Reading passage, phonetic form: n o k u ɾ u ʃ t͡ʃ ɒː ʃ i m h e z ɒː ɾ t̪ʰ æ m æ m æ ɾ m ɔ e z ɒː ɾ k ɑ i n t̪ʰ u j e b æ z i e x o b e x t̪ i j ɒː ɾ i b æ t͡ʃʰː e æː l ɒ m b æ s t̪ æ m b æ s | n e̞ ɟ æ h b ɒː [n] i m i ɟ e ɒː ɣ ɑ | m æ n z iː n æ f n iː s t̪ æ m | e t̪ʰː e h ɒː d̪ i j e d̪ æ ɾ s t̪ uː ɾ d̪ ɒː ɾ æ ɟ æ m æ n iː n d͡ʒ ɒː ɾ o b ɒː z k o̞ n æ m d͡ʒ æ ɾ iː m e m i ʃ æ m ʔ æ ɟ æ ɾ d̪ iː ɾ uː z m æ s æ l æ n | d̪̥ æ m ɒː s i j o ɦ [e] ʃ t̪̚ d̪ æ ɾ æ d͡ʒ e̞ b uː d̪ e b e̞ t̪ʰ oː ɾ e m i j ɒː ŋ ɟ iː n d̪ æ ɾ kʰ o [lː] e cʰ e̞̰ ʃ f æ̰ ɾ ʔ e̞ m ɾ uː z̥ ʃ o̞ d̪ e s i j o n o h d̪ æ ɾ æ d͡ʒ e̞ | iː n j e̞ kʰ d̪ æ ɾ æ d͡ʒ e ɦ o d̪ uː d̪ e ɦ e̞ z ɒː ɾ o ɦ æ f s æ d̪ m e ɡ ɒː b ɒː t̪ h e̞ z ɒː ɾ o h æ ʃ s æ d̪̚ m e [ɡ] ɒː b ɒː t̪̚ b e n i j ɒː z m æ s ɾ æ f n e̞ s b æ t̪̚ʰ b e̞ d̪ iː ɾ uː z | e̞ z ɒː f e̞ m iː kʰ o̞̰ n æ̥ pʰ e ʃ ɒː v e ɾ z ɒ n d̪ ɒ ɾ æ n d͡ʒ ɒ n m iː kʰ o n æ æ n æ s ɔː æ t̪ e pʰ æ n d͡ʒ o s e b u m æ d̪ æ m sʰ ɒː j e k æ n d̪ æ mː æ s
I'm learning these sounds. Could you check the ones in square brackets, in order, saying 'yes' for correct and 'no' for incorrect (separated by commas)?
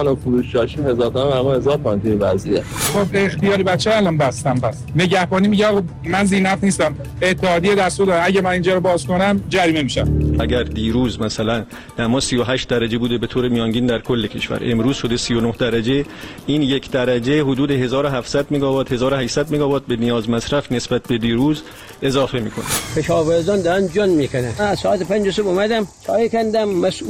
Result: yes, no, yes, yes